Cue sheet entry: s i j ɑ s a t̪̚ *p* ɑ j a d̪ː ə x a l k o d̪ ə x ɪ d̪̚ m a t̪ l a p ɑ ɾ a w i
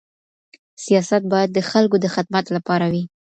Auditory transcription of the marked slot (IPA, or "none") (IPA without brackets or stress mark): b